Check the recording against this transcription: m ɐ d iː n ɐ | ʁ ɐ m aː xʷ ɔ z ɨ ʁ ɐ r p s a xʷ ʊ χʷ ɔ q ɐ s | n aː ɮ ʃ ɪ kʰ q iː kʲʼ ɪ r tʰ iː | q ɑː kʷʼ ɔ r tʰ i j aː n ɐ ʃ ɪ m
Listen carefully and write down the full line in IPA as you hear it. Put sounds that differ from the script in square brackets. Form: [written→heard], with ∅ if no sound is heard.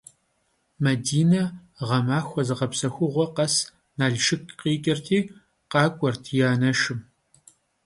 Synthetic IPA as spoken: m ɐ d iː n ɐ | ʁ ɐ m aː xʷ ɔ z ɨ ʁ ɐ [r→∅] p s [a→ɐ] xʷ ʊ [χʷ→ʁʷ] ɔ q ɐ s | n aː ɮ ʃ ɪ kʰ q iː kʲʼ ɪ r tʰ iː | q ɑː kʷʼ ɔ r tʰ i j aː n ɐ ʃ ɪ m